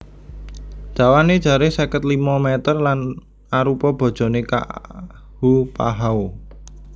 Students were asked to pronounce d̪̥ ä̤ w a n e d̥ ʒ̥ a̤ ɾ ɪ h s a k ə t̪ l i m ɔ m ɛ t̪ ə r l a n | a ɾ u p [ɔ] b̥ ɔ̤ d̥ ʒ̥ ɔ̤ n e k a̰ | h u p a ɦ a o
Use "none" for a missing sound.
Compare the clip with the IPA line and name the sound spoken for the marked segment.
ɔ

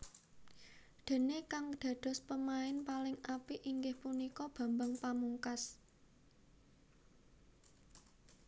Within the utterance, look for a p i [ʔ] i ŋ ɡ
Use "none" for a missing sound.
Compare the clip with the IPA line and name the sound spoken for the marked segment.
ʔ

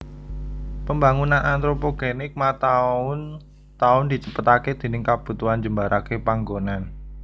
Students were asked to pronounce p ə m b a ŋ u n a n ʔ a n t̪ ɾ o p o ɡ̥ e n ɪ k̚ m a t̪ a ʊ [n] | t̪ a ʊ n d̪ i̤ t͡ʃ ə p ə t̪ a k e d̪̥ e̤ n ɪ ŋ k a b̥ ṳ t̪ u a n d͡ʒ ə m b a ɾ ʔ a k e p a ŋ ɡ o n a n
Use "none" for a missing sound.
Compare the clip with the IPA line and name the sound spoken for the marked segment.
n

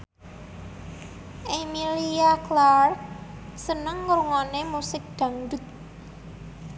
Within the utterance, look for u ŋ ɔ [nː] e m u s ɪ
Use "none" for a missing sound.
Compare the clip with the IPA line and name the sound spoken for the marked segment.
n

